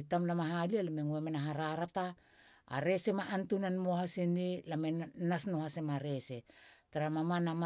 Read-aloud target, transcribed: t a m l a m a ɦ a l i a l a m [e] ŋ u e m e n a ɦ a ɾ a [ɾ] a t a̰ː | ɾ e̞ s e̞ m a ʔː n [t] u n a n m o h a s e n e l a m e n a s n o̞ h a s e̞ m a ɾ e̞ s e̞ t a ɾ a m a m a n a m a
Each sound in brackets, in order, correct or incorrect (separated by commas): correct, correct, correct